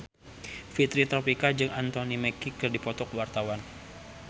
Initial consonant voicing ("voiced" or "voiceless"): voiceless